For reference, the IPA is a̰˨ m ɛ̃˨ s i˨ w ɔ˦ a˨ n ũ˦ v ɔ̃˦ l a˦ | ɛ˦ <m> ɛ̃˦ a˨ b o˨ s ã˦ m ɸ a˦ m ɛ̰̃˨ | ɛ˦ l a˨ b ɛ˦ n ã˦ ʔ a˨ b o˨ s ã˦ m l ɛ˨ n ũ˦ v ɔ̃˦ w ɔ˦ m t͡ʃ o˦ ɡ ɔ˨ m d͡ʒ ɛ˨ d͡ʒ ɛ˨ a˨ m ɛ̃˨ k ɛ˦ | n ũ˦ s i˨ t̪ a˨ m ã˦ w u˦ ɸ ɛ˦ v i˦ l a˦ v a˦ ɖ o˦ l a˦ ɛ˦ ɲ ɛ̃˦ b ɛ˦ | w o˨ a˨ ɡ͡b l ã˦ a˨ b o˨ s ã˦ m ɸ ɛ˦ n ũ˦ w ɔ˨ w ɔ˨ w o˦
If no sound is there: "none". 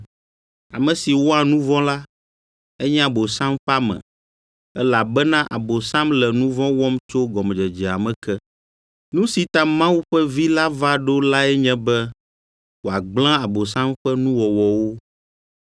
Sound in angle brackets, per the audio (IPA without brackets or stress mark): ɲ